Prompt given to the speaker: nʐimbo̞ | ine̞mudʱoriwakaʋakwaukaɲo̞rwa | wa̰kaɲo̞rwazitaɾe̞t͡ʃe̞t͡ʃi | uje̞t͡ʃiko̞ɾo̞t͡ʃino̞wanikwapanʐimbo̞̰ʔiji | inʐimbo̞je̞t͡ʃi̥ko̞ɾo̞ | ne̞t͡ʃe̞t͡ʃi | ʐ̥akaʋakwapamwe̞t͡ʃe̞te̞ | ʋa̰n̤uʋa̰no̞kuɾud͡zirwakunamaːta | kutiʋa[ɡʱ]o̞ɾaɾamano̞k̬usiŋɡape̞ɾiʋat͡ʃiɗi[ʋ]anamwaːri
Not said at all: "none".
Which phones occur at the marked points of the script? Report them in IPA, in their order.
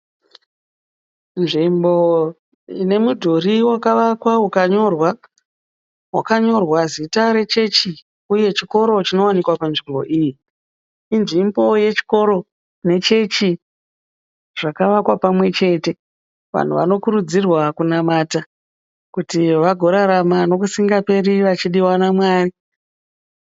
ɡʱ, w

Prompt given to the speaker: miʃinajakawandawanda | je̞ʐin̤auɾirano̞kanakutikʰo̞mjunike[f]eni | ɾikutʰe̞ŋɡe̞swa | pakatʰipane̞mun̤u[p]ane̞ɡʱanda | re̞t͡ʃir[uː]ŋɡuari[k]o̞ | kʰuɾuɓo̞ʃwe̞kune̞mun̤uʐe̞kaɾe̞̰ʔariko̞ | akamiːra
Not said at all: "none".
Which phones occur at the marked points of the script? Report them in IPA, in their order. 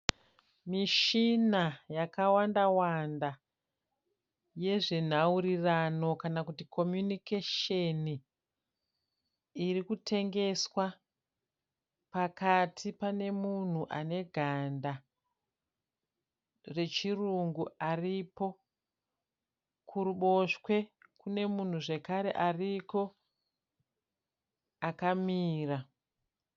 ʃ, ʔ, u, p

